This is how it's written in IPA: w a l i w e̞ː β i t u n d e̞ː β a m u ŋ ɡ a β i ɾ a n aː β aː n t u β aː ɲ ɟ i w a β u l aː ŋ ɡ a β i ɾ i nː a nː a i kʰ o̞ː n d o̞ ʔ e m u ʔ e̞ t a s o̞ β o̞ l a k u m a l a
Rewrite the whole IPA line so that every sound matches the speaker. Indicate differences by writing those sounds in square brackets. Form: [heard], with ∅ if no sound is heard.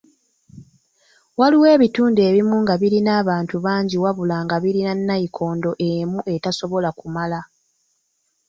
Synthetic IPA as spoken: w a l i w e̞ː β i t [uː] n d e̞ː β [i] m u ŋ ɡ a β i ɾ [i] n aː β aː n t u β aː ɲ ɟ i w a β u l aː ŋ ɡ a β i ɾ i [n] a nː a i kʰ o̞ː n d o̞ ʔ e m u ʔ e̞ t a s o̞ β o̞ l a k u m a l a